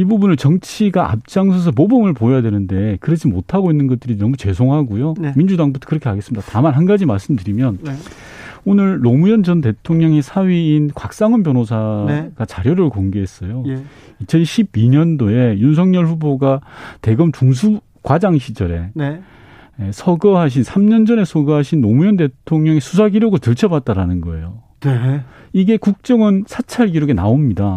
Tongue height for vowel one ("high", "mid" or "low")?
high